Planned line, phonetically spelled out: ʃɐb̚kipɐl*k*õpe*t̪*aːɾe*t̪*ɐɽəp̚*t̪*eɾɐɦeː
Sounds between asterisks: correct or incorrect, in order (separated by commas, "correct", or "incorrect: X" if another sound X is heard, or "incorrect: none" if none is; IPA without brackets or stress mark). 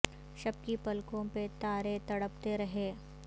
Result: correct, correct, correct, correct